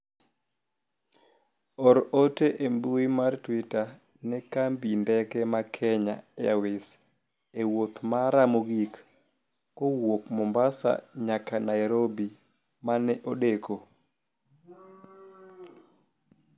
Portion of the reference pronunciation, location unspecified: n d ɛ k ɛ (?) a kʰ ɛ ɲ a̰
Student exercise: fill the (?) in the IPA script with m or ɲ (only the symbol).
m